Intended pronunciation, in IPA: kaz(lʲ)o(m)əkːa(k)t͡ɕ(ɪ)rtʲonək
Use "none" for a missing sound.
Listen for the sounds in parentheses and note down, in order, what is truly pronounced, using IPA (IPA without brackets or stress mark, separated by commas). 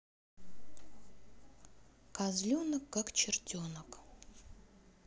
lʲ, n, k, ɪ